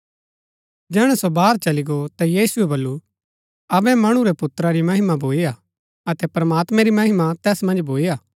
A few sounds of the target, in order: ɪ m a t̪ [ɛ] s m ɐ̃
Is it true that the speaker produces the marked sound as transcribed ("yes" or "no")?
no